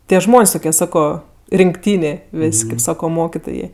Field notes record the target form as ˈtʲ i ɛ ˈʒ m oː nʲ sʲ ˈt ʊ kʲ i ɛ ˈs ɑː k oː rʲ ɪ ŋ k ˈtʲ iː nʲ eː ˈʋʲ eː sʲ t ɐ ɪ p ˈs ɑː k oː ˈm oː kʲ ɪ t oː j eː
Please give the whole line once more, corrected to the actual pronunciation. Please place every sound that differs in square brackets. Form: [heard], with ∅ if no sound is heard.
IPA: ˈtʲ i ɛ ˈʒ m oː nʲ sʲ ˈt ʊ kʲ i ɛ ˈs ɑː k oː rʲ ɪ ŋ k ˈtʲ iː nʲ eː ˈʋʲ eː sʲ [k] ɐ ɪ p ˈs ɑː k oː ˈm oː kʲ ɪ t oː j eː

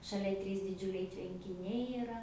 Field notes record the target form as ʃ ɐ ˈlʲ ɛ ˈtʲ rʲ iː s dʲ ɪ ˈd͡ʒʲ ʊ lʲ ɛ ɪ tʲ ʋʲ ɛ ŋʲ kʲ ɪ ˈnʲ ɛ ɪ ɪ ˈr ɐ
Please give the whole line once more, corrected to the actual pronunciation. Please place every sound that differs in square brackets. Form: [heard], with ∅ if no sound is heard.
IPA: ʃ ɐ ˈlʲ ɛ ˈtʲ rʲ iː s dʲ ɪ ˈd͡ʒʲ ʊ lʲ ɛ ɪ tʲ ʋʲ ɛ ŋʲ kʲ ɪ ˈnʲ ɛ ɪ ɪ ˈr ɐ

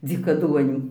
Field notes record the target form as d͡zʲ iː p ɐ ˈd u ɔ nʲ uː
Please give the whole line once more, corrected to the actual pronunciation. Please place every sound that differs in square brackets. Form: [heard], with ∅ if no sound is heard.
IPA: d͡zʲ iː [k] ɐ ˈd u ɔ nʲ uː

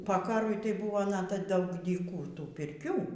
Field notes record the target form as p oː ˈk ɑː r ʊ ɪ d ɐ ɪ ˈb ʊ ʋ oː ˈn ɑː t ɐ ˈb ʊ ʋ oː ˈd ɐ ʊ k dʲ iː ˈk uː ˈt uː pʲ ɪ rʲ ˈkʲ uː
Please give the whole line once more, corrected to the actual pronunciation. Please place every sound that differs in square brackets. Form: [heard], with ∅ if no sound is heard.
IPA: p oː ˈk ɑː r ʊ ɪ [t] ɐ ɪ ˈb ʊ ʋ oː ˈn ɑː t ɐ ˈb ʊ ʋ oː ˈd ɐ ʊ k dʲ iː ˈk uː ˈt uː pʲ ɪ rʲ ˈkʲ uː

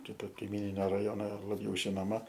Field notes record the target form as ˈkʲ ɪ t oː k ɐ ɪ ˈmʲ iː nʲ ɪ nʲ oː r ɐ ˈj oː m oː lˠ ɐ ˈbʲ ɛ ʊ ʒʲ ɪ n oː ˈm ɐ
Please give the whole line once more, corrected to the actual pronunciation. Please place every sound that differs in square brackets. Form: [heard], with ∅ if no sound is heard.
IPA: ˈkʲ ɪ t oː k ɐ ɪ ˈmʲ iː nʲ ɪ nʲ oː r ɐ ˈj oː [n] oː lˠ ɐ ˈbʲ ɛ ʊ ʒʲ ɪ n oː ˈm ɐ

